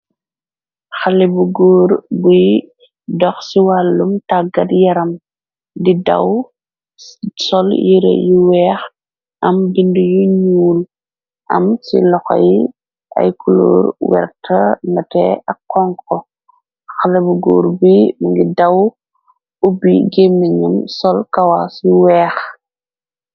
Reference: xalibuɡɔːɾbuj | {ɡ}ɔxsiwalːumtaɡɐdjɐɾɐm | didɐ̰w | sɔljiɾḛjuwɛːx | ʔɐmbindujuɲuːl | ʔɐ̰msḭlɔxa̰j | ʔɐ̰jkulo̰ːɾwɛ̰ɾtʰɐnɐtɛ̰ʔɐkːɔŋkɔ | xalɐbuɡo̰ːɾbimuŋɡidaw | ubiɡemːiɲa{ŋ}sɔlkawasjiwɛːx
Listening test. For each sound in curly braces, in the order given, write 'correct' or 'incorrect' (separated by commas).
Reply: incorrect, incorrect